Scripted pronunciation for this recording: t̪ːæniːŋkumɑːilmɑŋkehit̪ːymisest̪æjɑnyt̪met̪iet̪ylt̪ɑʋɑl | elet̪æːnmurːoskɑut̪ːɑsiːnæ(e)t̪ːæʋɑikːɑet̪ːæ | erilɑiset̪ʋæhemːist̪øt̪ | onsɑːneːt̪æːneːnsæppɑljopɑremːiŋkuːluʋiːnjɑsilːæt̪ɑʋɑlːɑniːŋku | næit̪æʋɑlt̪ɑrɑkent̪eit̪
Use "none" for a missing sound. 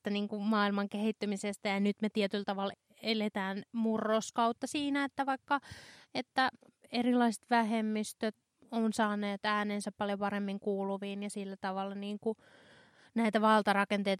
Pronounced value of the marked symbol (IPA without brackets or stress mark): e